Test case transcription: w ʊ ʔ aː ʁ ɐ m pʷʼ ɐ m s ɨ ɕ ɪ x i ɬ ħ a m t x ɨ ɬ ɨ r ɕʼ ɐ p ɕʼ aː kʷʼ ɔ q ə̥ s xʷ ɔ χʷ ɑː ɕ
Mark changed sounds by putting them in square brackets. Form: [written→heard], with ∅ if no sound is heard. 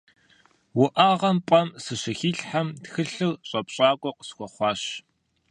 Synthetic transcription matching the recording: w ʊ ʔ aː ʁ ɐ m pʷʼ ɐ m s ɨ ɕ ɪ x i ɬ ħ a m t x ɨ ɬ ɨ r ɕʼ ɐ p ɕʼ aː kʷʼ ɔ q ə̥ s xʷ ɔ χʷ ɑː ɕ